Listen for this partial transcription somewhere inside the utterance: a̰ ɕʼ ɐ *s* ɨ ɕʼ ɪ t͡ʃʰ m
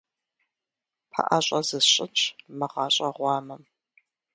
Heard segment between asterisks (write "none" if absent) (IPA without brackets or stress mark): z